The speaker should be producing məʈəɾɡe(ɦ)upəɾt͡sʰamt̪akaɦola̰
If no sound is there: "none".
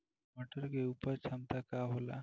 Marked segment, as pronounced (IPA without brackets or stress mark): none